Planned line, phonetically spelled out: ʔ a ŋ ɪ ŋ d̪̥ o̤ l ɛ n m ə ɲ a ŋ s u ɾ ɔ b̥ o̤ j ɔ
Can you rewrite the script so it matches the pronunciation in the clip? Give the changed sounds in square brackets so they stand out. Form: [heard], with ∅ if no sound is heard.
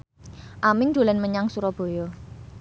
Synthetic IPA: ʔ a [m] ɪ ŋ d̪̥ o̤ l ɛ n m ə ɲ a ŋ s u ɾ ɔ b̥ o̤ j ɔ